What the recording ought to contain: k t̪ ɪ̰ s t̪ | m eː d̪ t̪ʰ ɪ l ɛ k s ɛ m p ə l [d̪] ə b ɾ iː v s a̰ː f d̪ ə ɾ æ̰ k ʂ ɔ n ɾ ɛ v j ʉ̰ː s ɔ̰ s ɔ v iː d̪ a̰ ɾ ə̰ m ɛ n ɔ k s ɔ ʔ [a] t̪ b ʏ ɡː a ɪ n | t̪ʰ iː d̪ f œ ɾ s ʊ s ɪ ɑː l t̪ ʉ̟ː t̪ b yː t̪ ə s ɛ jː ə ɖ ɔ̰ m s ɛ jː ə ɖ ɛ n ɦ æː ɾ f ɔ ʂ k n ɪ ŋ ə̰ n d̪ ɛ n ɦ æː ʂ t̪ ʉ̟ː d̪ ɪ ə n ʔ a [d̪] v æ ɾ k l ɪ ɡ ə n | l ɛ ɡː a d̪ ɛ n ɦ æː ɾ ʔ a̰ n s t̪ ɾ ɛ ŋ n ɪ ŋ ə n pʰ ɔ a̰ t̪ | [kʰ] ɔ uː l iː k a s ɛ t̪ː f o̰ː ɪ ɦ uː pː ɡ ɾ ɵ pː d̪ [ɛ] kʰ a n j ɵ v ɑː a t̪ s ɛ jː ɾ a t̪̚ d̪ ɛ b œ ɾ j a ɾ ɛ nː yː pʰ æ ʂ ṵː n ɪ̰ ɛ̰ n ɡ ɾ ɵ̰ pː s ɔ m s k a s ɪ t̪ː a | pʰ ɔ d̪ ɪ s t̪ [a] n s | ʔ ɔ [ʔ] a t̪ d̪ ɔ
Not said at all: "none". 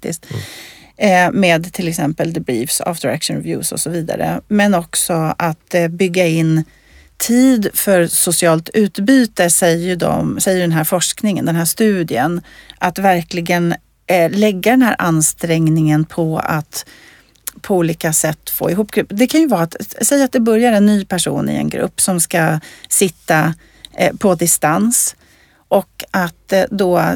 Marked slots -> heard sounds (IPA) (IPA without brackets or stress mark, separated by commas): d̪, a, t̪, pʰ, ɛ, a, k